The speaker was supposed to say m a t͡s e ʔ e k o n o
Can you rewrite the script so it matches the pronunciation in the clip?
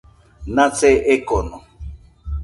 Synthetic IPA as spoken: n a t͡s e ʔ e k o n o